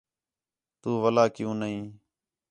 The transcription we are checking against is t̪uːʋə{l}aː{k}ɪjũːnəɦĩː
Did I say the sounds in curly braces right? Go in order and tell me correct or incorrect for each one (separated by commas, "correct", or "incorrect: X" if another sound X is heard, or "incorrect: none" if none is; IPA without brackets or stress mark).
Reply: correct, correct